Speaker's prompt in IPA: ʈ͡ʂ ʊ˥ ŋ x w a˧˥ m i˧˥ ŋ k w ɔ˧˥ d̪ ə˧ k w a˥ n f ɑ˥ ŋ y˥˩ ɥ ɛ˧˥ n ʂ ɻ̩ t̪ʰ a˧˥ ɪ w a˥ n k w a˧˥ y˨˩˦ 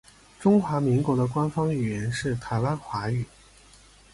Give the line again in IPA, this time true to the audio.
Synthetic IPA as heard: ʈ͡ʂ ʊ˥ ŋ x w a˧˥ m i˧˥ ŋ k w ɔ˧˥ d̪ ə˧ k w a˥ n f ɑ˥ ŋ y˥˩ ɥ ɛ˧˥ n ʂ ɻ̩ t̪ʰ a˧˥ ɪ w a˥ n x w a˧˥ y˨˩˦